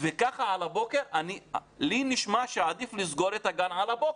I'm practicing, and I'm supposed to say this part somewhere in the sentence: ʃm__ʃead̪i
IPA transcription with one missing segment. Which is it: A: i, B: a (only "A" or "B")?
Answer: B